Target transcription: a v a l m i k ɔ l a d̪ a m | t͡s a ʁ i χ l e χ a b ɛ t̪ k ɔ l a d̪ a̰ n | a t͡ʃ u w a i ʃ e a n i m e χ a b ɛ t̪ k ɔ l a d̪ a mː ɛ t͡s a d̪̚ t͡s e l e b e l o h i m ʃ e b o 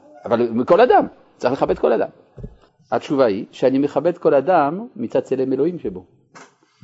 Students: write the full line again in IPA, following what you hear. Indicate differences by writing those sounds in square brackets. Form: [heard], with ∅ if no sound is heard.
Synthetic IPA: a v a l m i k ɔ l a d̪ a m | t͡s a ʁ i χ l e χ a b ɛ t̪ k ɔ l a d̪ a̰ [m] | a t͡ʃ u [v] a i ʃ e a n i m e χ a b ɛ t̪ k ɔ l a d̪ a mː [i] t͡s a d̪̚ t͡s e l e [m] e l o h i m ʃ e b o